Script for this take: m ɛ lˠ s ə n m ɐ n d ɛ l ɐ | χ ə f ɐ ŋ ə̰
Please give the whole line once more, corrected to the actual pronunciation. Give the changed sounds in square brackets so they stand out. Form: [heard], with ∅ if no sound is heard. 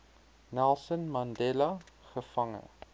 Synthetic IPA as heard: [n] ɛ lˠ s ə n m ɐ n d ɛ l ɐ | χ ə f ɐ ŋ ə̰

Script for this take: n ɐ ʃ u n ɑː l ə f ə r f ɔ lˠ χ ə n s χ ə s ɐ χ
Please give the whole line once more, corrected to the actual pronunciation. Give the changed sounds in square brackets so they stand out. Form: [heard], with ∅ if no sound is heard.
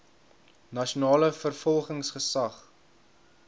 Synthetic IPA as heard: n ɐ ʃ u n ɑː l ə f ə r f ɔ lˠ χ ə [ŋ] s χ ə s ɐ χ

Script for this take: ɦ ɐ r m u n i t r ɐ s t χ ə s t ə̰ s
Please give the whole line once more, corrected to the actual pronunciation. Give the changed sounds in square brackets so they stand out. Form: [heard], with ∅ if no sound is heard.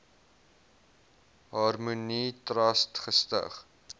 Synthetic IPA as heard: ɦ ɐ r m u n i t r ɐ s t χ ə s t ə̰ [χ]

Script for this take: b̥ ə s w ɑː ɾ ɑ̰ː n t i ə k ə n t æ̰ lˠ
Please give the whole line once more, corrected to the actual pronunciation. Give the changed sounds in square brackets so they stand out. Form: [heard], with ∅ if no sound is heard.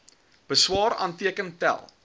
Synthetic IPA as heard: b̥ ə s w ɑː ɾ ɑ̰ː n t i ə k ə n t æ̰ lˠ

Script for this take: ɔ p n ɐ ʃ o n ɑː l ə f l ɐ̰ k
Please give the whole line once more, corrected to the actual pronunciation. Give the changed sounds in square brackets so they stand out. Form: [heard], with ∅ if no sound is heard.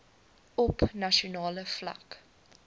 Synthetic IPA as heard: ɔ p n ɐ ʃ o n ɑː l ə f l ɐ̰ k

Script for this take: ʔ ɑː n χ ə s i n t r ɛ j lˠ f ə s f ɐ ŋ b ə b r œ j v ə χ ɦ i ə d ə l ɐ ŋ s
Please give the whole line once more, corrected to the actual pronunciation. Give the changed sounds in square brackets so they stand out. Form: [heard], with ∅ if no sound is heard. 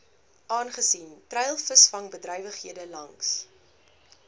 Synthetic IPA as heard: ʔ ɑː n χ ə s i n t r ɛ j lˠ f ə s f ɐ ŋ b ə [d] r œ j v ə χ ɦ i ə d ə l ɐ ŋ s

